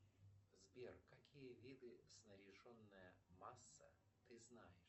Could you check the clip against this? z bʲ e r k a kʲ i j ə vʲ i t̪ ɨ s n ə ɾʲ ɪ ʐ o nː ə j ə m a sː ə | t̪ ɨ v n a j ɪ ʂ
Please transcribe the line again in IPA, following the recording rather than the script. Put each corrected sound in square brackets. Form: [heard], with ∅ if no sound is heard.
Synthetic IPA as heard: z bʲ e r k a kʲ i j ə vʲ i [d̪] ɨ s n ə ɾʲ ɪ ʐ o nː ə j ə m a sː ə | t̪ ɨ [z] n a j ɪ ʂ

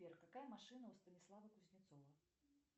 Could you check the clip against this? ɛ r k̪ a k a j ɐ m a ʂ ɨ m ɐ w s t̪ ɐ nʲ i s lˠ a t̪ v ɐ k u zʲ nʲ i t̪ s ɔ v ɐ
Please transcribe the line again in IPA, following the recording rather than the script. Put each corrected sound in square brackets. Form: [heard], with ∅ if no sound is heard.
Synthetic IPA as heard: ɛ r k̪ a k a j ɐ m a ʂ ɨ [n] ɐ w s t̪ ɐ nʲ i s lˠ a [∅] v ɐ k u zʲ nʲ i t̪ s ɔ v ɐ

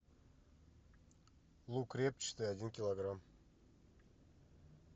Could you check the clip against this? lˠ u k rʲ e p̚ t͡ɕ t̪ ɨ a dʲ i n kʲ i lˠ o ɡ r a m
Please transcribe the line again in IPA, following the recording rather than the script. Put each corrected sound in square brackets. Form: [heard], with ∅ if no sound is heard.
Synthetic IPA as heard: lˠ u k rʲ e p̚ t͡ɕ t̪ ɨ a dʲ i n kʲ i lˠ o ɡ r a m

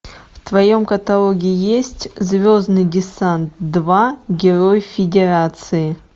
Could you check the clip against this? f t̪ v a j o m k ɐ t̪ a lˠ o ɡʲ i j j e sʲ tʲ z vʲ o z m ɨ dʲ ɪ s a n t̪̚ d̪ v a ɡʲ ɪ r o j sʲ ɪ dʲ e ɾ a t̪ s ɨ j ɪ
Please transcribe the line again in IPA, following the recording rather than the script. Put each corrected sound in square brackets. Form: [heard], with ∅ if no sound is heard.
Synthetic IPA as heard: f t̪ v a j o m k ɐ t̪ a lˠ o ɡʲ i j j e sʲ tʲ z vʲ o z [n] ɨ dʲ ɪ s a n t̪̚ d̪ v a ɡʲ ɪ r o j [fʲ] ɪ dʲ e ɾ a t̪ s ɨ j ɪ

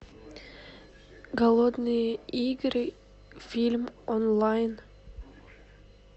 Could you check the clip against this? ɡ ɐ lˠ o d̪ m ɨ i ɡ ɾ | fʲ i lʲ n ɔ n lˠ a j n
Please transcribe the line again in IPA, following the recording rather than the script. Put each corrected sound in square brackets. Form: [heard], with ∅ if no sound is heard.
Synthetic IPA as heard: ɡ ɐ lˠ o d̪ [n] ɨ i ɡ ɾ | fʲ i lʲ [m] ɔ n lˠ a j n

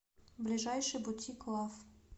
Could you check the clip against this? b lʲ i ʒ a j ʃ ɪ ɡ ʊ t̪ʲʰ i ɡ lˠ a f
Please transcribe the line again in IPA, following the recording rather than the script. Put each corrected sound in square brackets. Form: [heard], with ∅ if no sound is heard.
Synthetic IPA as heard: b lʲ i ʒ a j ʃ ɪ [b] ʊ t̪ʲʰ i [k] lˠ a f

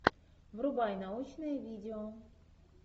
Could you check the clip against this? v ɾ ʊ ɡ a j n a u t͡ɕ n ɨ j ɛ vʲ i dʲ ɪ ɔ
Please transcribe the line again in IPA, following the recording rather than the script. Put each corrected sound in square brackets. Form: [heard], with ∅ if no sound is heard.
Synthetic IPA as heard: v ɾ ʊ [b] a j n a u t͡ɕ n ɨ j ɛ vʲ i dʲ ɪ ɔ

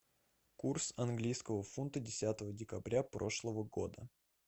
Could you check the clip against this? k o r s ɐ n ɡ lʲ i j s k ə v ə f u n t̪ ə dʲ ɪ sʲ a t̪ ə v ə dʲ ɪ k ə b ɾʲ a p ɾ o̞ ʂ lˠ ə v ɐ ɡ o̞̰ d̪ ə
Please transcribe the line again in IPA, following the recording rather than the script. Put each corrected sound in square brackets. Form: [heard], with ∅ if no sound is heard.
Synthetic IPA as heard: k [u] r s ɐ n ɡ lʲ i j s k ə v ə f u n t̪ ə dʲ ɪ sʲ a t̪ ə v ə dʲ ɪ k [ɐ] b ɾʲ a p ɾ o̞ ʂ lˠ ə v [ə] ɡ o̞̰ d̪ ə

